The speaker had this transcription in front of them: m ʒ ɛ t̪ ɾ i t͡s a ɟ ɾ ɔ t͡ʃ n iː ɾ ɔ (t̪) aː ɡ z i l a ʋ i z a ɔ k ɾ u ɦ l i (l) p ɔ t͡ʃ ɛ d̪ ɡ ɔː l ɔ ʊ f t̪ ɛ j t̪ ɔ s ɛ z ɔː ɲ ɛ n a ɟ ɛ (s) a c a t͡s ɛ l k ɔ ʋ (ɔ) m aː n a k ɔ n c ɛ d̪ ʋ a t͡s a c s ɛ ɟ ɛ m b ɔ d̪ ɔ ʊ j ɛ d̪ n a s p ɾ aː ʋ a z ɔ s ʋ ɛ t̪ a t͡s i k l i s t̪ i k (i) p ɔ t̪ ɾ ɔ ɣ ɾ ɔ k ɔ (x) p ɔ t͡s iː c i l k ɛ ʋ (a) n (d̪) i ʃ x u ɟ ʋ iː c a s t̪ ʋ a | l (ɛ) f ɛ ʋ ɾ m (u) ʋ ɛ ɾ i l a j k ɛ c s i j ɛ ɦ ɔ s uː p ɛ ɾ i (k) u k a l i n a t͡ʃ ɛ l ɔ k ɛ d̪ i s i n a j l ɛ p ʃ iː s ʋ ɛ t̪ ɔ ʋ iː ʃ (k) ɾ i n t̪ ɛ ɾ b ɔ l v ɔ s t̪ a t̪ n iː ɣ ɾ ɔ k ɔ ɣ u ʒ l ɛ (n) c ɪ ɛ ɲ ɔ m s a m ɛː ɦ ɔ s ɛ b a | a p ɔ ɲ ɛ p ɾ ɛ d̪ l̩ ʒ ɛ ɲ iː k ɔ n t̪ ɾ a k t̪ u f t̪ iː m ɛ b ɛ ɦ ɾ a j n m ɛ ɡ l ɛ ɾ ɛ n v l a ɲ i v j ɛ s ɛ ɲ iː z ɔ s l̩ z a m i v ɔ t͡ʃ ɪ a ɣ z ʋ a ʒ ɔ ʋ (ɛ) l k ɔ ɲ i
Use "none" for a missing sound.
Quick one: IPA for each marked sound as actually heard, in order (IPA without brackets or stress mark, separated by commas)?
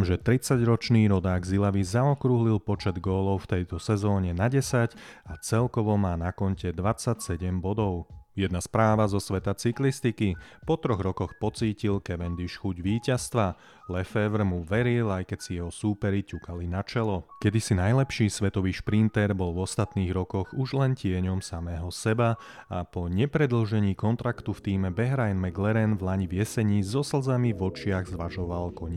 d̪, l, s, ɔ, i, x, ɛ, d̪, ɛ, u, c, p, n, a